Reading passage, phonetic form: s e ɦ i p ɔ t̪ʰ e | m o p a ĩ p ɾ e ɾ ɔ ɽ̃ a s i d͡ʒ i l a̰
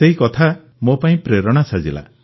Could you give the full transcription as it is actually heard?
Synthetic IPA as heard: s e ɦ i k ɔ t̪ʰ a | m o p a ĩ p ɾ e ɾ ɔ ɽ̃ a s a d͡ʒ i l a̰